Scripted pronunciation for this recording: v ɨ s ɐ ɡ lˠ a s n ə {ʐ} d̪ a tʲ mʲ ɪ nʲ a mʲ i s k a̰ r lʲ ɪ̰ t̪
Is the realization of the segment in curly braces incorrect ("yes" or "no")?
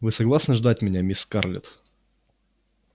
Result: no